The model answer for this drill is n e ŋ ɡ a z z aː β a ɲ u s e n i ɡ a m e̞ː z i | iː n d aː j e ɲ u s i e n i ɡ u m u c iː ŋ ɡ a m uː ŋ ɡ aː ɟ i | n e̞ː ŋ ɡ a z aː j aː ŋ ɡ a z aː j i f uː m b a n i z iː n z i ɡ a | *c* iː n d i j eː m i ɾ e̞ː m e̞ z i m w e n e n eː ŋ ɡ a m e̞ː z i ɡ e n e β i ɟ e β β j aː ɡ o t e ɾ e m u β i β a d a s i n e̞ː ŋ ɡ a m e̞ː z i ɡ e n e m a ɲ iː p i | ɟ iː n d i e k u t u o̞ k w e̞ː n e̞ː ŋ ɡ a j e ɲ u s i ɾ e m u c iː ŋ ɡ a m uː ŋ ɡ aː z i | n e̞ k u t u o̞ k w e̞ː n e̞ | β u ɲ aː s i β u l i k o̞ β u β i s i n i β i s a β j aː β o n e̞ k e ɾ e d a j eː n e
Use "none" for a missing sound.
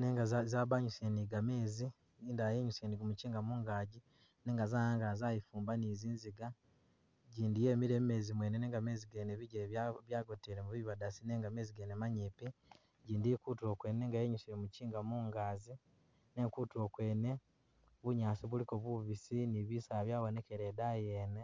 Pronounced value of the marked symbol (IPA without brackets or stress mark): ɟ